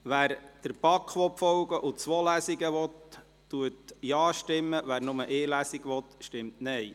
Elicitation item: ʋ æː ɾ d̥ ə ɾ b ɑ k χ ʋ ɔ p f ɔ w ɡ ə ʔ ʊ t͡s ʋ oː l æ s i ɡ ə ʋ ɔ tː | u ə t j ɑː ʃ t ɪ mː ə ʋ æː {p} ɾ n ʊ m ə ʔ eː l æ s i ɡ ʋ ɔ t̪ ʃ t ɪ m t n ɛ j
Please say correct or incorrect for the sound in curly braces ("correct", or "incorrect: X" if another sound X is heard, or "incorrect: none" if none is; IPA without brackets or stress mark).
incorrect: none